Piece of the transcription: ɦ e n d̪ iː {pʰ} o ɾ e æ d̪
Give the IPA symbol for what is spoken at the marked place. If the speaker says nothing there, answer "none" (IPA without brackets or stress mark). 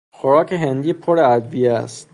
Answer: pʰ